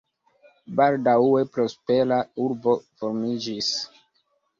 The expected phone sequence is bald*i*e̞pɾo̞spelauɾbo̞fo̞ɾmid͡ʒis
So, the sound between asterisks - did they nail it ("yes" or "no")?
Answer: no